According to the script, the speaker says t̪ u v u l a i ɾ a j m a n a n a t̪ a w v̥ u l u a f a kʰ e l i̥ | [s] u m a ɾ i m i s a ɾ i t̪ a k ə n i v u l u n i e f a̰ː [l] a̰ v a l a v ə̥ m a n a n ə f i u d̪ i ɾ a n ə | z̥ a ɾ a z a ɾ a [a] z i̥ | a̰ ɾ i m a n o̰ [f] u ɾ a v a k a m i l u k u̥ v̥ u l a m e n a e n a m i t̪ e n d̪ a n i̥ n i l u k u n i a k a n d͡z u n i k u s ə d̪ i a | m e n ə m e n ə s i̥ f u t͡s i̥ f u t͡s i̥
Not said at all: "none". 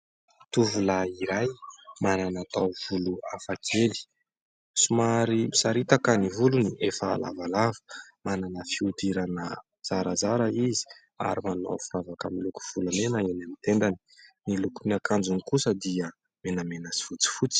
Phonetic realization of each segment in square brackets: s, l, i, f

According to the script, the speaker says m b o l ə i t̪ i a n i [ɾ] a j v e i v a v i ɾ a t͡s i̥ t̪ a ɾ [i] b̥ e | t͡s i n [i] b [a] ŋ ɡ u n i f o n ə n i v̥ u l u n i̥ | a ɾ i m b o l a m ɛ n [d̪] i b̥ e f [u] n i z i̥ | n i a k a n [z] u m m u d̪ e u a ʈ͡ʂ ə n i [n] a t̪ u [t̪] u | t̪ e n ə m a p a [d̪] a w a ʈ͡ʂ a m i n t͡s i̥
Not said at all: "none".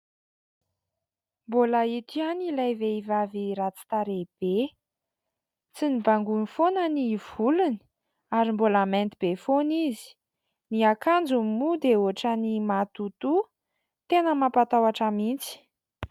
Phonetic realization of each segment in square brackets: l, e, i, a, t̪, o, d͡z, m, t̪, t̪

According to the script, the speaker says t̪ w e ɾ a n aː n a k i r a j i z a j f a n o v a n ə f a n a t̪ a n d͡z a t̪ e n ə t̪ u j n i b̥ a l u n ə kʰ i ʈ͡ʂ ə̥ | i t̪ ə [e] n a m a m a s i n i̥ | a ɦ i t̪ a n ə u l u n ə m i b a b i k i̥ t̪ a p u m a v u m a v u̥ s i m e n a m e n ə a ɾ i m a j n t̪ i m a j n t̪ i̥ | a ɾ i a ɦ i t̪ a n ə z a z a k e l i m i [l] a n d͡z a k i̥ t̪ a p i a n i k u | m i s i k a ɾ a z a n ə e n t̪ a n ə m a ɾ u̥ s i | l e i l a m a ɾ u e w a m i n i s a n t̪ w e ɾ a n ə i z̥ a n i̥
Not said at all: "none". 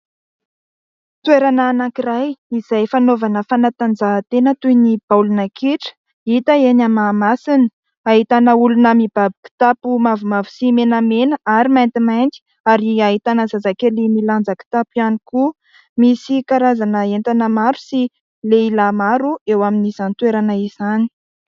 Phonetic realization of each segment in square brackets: e, l

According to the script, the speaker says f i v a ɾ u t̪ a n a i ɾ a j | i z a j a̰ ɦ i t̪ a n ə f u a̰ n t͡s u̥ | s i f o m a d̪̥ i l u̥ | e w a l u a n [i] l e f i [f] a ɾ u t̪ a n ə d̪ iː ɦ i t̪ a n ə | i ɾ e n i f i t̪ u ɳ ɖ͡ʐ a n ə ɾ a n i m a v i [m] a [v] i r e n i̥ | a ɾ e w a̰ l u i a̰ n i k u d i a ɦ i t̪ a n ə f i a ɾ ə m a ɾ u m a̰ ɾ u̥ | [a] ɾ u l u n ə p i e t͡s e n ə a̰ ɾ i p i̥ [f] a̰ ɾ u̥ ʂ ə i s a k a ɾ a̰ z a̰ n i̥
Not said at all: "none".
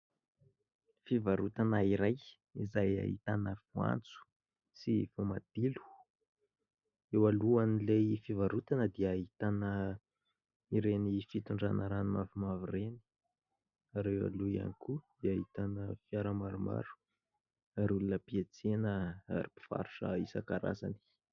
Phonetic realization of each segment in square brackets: i, v, m, v, a, f

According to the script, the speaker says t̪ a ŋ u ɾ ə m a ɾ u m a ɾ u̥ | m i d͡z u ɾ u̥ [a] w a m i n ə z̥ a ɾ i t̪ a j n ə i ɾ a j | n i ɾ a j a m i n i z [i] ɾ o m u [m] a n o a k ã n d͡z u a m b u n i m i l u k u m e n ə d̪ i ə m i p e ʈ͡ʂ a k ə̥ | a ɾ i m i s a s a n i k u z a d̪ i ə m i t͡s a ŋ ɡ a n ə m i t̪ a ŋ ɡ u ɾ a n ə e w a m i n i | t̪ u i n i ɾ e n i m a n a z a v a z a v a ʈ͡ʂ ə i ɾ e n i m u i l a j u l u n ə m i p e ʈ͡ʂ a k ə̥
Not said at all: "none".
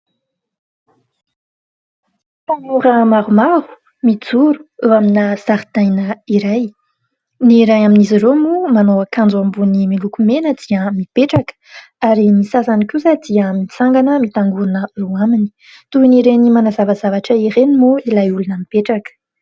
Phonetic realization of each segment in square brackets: e, i, m

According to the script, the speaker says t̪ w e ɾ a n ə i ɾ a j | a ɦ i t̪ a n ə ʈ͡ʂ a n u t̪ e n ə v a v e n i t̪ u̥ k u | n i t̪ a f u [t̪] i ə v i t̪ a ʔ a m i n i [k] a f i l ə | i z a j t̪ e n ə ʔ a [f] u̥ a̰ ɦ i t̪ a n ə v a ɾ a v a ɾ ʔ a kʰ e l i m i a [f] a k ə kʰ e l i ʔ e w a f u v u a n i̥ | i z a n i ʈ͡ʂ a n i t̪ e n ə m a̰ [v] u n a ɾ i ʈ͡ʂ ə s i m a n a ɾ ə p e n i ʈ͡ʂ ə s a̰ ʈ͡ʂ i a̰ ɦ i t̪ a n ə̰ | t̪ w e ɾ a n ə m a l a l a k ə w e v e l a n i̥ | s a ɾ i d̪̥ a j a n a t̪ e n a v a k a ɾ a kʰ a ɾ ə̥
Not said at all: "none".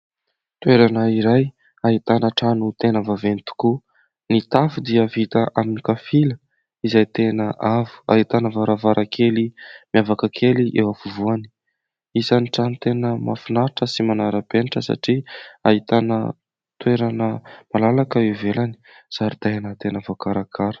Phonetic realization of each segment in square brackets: d̪, k, v, v, f

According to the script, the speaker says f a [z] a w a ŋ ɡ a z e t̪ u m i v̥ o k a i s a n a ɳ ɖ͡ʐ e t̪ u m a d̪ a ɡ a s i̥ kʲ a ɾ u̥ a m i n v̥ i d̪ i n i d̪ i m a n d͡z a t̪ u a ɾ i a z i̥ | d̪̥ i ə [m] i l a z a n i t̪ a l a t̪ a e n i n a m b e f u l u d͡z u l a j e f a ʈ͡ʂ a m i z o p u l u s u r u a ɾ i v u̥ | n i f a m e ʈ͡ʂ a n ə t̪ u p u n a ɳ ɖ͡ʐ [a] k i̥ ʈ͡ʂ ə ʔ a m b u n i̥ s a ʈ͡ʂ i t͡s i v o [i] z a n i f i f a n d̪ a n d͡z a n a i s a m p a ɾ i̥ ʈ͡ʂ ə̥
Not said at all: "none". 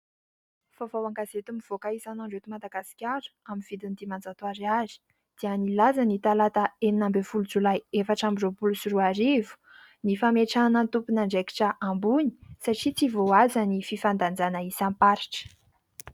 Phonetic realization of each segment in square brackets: v, n, e, a

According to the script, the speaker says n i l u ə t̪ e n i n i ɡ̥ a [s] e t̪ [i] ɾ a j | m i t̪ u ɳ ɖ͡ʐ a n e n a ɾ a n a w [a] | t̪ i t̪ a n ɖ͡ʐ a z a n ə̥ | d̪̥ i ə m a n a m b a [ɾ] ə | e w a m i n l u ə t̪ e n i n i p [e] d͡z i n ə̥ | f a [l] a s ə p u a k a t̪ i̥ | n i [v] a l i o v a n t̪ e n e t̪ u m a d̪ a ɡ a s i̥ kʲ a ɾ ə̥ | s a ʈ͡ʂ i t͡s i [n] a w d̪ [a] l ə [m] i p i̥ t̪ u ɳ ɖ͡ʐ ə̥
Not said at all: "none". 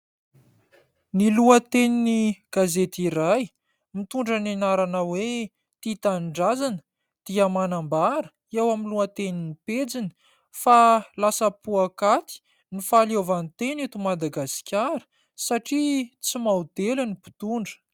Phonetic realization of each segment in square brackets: z, i, e, ɾ, e, l, f, m, e, n

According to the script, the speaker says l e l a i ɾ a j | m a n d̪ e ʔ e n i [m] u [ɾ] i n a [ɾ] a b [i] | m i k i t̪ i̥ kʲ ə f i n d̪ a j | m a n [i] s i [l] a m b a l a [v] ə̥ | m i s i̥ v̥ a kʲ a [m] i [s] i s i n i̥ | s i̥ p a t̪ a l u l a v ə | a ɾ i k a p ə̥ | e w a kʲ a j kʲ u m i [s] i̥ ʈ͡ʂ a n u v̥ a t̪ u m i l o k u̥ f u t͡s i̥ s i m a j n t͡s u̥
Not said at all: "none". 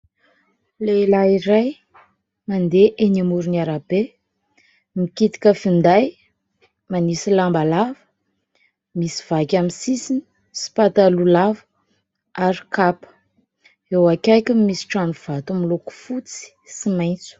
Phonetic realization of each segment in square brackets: m, ɾ, ɾ, e, i, l, v, m, s, s

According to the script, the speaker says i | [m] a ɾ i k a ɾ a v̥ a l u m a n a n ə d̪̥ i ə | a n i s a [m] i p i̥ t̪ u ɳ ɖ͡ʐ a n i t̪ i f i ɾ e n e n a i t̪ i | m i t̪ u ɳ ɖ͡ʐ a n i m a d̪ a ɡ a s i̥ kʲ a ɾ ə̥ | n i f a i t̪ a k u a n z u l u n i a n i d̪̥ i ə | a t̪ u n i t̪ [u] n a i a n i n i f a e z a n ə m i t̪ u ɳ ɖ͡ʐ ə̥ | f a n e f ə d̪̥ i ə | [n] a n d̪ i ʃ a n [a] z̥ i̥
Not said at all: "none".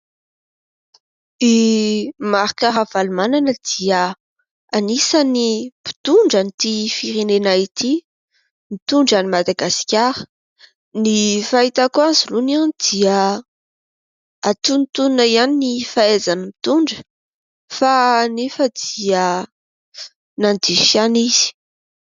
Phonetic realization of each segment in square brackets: m, n, u, n, i

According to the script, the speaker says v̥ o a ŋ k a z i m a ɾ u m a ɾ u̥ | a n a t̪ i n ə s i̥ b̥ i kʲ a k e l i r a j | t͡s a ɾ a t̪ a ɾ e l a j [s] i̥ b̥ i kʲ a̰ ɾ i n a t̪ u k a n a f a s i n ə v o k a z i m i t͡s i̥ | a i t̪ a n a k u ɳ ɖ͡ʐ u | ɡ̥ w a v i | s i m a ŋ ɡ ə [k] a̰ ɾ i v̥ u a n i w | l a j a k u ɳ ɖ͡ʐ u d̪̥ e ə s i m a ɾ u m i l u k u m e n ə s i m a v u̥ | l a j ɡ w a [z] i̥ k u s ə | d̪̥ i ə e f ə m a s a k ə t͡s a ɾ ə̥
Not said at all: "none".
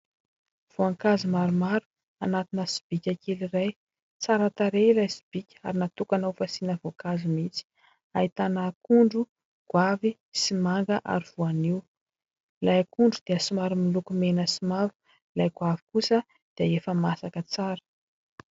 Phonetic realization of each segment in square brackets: s, ʔ, v

